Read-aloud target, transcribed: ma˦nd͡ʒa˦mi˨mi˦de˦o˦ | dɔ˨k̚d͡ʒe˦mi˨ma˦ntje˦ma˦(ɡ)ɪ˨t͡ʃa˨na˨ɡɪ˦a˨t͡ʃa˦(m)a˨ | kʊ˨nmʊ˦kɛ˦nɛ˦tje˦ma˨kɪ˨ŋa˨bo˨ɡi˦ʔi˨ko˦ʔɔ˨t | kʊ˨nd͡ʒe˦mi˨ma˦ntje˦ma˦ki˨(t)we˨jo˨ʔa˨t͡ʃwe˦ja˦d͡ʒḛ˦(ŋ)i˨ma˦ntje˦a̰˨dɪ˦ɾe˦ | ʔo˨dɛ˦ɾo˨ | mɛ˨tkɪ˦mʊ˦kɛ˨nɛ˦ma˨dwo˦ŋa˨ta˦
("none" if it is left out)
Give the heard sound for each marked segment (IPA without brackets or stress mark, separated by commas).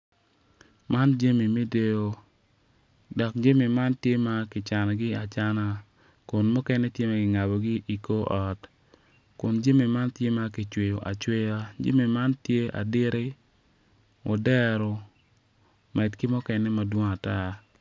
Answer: k, n, t͡ʃ, m